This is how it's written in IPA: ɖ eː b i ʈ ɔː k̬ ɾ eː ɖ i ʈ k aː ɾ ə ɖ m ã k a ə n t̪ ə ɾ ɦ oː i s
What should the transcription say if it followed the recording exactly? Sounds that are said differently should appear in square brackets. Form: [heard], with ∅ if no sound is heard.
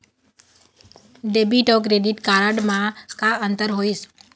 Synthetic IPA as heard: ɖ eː b i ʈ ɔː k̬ ɾ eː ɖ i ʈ k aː ɾ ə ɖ m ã k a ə n t̪ ə ɾ ɦ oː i s